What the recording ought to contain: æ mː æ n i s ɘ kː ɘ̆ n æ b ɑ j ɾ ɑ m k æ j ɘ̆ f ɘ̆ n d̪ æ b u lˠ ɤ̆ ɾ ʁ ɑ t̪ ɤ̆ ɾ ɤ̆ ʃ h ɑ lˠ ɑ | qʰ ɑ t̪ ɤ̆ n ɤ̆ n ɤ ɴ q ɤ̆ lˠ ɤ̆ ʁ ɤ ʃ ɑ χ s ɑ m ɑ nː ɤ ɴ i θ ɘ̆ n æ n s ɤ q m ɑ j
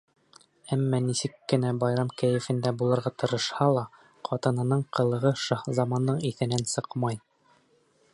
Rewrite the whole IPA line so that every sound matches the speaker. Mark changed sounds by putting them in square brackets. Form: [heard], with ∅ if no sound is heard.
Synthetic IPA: æ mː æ n i s ɘ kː ɘ̆ n æ b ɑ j ɾ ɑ m k æ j ɘ̆ f ɘ̆ n d̪ æ b u lˠ ɤ̆ ɾ ʁ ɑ t̪ ɤ̆ ɾ ɤ̆ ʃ h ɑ lˠ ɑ | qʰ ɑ t̪ ɤ̆ n ɤ̆ n ɤ ɴ q ɤ̆ lˠ ɤ̆ ʁ ɤ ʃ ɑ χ [z] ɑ m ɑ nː ɤ ɴ i θ ɘ̆ n æ n s ɤ q m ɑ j